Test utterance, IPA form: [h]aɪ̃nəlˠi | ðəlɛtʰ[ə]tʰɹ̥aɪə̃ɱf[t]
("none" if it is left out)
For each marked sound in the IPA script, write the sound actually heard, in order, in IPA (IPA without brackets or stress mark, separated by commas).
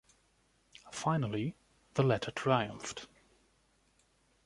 f, ə, t